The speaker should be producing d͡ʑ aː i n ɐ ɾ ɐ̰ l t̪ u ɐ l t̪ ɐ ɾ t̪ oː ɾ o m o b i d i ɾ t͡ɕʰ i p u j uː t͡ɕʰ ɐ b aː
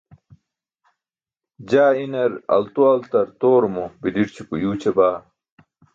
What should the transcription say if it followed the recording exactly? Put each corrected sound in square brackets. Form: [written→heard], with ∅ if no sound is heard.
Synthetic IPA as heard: d͡ʑ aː i n ɐ ɾ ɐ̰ l t̪ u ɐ l t̪ ɐ ɾ t̪ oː ɾ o m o b i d i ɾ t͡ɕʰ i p u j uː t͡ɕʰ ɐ b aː